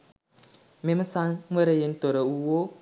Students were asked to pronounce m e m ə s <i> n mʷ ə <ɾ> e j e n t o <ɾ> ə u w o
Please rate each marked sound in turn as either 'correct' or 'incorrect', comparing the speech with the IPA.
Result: incorrect: a, correct, correct

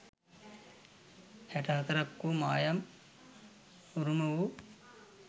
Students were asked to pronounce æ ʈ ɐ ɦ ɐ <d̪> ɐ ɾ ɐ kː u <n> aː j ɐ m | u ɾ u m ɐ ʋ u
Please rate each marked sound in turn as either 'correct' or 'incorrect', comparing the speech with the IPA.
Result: incorrect: t̪, incorrect: m

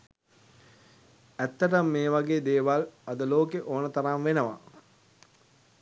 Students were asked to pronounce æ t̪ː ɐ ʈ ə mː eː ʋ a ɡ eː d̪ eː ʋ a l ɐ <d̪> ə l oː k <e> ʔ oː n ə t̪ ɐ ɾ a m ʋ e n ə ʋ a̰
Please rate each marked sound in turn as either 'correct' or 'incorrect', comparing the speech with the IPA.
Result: correct, correct

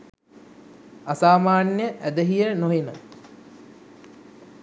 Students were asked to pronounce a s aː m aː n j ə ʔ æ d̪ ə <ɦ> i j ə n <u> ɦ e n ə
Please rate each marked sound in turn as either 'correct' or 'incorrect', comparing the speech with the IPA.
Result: correct, incorrect: o

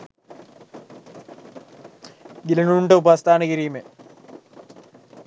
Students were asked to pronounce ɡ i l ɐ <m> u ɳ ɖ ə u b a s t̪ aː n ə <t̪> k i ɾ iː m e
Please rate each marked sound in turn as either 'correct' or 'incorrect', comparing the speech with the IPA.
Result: incorrect: n, incorrect: none

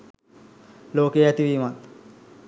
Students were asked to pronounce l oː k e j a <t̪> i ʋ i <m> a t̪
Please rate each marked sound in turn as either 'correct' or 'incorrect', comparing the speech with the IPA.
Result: correct, correct

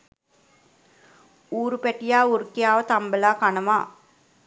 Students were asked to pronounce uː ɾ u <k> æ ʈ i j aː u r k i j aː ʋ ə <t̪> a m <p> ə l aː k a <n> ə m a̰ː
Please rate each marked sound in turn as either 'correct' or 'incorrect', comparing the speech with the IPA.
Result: incorrect: p, correct, incorrect: b, correct

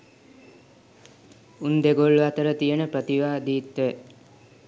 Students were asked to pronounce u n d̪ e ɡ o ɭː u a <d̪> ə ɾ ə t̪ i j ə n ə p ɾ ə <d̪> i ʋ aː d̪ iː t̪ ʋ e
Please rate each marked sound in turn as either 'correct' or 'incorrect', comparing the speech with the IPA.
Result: incorrect: t̪, incorrect: t̪

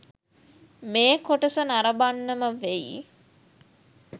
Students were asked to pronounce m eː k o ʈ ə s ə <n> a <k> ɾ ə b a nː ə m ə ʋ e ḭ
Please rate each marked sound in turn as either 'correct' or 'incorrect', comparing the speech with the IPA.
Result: correct, incorrect: none

